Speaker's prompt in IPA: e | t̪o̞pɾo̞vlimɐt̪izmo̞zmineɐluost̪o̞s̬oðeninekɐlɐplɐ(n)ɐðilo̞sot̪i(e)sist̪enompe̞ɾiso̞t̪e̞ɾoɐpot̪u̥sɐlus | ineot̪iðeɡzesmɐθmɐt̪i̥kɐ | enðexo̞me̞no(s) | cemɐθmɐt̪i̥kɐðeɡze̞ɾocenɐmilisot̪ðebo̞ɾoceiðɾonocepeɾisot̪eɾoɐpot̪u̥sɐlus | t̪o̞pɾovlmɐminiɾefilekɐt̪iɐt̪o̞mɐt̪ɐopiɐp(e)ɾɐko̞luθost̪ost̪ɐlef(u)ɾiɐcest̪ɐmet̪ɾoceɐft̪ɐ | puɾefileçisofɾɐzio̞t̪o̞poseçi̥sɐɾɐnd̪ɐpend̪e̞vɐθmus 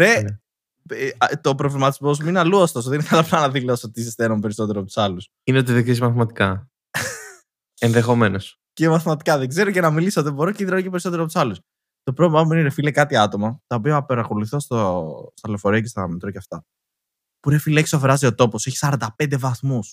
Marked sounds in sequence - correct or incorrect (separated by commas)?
correct, incorrect, correct, correct, incorrect